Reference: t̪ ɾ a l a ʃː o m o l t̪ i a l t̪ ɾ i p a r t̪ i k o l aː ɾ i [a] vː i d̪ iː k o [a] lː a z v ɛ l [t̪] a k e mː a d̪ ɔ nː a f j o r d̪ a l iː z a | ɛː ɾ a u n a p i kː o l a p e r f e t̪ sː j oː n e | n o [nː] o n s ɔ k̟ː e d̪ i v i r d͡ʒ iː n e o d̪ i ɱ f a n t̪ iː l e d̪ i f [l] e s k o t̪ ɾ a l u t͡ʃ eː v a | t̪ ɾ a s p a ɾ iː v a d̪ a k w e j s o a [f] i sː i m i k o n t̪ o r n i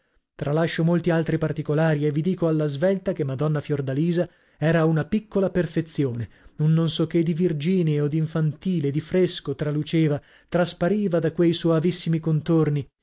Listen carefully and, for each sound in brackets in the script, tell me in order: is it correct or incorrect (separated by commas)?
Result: incorrect, correct, correct, correct, incorrect, incorrect